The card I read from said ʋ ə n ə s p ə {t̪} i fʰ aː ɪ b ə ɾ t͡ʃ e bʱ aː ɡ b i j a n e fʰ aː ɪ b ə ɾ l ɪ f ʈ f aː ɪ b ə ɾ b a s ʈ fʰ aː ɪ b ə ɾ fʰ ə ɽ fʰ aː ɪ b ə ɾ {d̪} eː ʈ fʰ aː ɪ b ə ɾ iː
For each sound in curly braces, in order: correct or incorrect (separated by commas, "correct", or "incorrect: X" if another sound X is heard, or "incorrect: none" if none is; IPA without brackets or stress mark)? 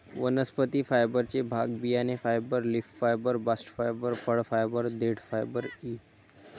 correct, correct